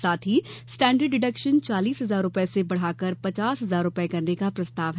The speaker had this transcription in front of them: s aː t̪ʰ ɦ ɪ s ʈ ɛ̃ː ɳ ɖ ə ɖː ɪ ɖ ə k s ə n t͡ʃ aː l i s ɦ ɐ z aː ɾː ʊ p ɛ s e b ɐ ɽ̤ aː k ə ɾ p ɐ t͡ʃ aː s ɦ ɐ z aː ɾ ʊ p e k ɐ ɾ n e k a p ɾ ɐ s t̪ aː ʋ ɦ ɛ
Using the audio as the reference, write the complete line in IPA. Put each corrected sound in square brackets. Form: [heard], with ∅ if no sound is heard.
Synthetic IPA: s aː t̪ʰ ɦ [i] s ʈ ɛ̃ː ɳ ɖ ə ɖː ɪ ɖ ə k [ʃ] ə n t͡ʃ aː l [iː] s ɦ ɐ z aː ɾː ʊ p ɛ s e b ɐ ɽ̤ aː k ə ɾ p ɐ t͡ʃ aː s ɦ ɐ z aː ɾ ʊ p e k ɐ ɾ n e k a p ɾ ɐ s t̪ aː ʋ ɦ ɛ